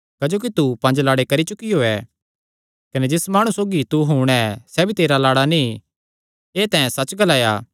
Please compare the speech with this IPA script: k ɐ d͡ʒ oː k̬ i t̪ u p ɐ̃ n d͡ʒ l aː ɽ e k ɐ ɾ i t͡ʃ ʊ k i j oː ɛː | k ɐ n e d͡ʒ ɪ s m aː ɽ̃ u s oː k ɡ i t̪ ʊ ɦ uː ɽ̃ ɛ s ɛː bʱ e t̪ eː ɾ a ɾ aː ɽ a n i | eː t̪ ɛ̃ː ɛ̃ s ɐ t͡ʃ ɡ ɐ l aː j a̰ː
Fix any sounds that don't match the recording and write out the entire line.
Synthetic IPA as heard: k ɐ d͡ʒ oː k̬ i t̪ u p ɐ̃ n d͡ʒ l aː ɽ e k ɐ ɾ i t͡ʃ ʊ k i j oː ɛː | k ɐ n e d͡ʒ ɪ s m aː ɽ̃ u s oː ɡ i t̪ u ɦ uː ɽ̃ ɛ s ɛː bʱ i t̪ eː ɾ a l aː ɽ a n i | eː t̪ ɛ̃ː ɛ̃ s ɐ t͡ʃ ɡ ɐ l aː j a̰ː